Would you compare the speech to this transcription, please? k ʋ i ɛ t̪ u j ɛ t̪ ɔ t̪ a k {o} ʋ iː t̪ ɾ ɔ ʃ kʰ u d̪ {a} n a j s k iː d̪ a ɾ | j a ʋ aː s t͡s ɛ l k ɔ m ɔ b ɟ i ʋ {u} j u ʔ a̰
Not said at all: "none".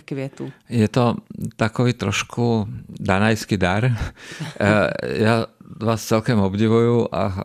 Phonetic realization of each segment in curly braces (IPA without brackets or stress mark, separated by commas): ɔ, a, u